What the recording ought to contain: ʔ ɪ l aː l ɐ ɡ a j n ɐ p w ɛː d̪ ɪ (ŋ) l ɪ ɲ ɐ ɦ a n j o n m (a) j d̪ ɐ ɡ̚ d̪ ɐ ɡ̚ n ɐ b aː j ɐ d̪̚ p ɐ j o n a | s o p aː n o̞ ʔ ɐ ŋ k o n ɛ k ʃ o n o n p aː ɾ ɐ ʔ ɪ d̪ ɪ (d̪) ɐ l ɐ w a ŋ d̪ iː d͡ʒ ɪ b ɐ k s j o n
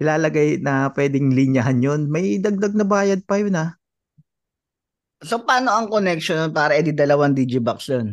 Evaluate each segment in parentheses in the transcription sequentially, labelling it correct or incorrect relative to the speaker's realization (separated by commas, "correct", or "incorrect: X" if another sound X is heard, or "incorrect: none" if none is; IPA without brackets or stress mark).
correct, incorrect: ɐ, correct